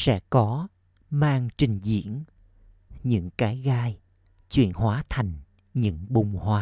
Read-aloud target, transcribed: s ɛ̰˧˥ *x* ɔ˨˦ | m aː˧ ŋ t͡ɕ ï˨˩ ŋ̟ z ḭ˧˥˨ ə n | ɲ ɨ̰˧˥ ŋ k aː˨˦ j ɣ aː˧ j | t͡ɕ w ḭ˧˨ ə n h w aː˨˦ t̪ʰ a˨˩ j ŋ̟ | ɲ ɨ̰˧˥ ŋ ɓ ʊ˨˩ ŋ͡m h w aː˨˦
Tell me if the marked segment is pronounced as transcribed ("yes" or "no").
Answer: no